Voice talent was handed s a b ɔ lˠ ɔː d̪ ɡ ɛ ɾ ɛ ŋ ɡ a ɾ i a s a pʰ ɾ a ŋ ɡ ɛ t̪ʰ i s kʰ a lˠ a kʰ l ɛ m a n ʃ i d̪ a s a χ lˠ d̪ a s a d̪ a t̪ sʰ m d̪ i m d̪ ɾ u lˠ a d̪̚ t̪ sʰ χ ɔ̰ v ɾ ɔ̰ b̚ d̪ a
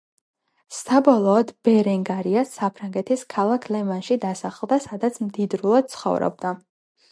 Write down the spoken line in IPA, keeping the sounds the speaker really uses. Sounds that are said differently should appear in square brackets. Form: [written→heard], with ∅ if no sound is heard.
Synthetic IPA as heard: s a b ɔ lˠ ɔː d̪ [ɡ→b] ɛ ɾ ɛ ŋ ɡ a ɾ i a s a pʰ ɾ a ŋ ɡ ɛ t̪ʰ i s kʰ a lˠ a kʰ l ɛ m a n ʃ i d̪ a s a χ lˠ d̪ a s a d̪ a t̪ sʰ m d̪ i [m→∅] d̪ ɾ u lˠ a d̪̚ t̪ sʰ χ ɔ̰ v ɾ ɔ̰ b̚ d̪ a